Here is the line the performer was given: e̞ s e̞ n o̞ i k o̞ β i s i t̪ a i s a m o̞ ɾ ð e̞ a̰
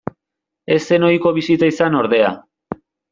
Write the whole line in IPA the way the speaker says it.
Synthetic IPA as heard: e̞ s e̞ n o̞ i k o̞ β i s i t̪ a i s a n o̞ ɾ ð e̞ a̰